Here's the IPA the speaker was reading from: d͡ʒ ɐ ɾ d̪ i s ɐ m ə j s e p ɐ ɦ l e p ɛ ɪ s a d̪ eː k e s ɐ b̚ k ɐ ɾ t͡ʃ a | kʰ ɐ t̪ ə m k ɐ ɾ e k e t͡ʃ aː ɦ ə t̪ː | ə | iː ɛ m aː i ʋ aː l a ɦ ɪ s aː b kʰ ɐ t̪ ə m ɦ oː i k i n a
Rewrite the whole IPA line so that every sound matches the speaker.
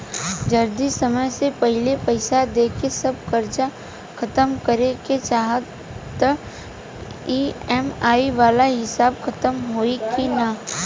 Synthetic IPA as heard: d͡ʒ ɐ ɾ d̪ i s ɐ m ə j s e p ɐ ɦ l e p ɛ ɪ s a d̪ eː k e s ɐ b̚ k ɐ ɾ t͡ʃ a | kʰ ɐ t̪ ə m k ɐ ɾ e k e t͡ʃ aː ɦ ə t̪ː | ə | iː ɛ m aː i ʋ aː l a ɦ ɪ s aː b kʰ ɐ t̪ ə m ɦ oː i k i n a